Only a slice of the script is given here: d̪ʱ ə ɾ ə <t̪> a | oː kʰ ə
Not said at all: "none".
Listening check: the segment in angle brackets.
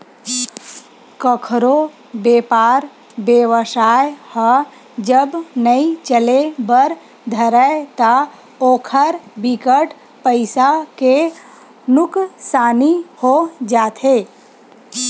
t̪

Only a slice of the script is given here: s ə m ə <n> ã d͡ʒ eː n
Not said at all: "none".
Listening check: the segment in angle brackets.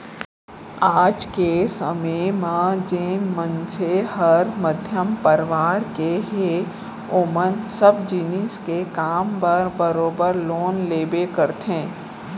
m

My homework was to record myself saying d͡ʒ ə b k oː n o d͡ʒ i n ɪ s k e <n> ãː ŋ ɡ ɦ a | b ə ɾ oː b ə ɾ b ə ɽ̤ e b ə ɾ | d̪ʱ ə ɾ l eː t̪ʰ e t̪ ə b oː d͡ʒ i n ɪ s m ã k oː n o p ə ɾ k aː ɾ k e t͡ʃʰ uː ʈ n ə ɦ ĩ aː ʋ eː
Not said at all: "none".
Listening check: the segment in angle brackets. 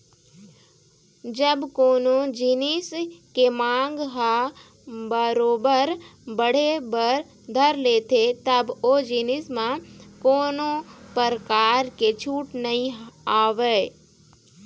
m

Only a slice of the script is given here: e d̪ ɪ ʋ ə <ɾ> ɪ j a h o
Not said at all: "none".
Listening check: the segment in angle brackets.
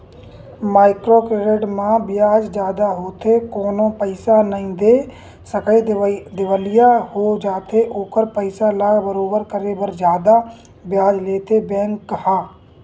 l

